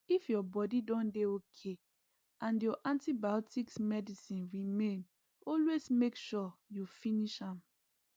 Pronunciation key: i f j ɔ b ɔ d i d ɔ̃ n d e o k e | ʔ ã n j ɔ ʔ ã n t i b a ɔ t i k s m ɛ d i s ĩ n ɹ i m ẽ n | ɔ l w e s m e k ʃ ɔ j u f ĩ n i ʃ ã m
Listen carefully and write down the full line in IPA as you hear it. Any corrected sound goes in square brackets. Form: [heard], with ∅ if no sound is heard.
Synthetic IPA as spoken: i f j ɔ b ɔ d i d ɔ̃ n d e o [kʰ] e | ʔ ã n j ɔ ʔ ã n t i b a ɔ t i k s m ɛ d i s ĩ n ɹ i m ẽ n | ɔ l w e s m e k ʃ ɔ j u f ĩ n i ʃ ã m